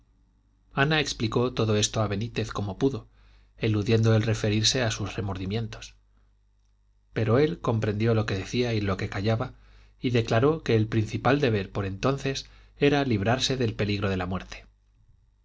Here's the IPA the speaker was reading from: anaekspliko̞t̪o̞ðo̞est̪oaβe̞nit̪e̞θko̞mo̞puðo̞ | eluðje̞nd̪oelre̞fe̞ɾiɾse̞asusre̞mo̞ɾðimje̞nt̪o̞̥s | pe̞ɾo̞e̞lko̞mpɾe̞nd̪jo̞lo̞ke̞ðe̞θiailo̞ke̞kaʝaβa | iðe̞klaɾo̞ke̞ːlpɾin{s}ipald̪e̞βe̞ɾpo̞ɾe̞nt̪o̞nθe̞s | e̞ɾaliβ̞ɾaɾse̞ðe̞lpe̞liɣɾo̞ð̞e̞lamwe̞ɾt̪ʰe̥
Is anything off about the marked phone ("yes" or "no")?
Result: yes